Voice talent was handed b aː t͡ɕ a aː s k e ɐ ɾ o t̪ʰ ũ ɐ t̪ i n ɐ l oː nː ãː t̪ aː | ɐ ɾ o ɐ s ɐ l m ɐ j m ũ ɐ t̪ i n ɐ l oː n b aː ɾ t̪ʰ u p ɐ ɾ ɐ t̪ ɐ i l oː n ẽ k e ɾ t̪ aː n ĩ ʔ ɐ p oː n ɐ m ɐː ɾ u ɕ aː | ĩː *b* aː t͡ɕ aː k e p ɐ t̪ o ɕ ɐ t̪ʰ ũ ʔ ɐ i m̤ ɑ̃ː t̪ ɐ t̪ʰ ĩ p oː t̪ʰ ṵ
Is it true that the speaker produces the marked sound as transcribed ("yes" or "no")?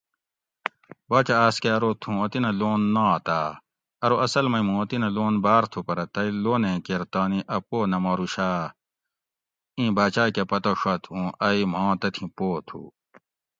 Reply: yes